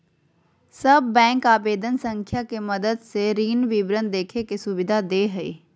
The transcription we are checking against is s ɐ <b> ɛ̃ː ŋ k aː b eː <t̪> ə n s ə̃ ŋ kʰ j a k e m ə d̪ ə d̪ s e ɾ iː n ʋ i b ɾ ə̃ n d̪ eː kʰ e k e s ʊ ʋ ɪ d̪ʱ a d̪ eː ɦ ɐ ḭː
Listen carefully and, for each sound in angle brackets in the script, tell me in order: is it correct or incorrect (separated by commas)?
incorrect, incorrect